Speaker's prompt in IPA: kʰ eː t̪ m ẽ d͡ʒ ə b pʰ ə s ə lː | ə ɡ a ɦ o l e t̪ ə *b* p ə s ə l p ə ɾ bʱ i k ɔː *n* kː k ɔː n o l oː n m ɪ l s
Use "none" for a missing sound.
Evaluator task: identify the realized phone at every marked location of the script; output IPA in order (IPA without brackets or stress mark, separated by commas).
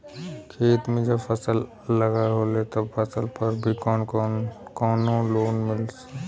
b, n